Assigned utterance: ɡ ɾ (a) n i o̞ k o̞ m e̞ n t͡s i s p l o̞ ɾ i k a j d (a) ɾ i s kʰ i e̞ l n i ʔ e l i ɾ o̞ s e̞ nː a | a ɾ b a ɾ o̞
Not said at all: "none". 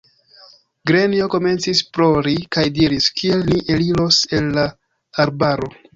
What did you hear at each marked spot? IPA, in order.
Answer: e, i

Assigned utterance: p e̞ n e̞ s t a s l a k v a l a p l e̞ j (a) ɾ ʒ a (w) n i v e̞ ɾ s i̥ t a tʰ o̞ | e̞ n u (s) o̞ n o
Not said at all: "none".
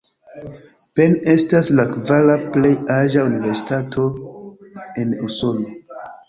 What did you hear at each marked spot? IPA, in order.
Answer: a, u, s

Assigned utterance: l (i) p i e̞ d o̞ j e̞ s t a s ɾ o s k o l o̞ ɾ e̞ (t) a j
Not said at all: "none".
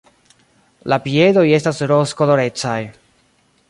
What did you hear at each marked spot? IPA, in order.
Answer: a, t͡s

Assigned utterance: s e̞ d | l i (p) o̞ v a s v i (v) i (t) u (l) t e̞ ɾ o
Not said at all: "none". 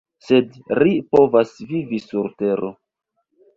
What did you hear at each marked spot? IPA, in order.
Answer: p, v, s, ɾ

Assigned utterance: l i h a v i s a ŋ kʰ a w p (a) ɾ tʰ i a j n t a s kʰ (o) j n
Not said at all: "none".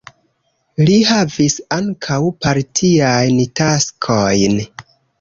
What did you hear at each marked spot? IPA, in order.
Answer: a, o

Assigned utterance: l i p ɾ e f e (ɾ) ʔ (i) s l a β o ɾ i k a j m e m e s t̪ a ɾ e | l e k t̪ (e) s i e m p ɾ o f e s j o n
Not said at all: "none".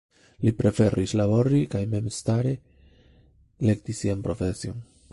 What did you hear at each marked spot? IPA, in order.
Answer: ɾ, i, i

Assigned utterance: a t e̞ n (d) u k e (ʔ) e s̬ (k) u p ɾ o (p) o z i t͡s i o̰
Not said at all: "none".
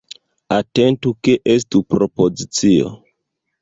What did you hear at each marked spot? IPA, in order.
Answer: t, ʔ, t, p

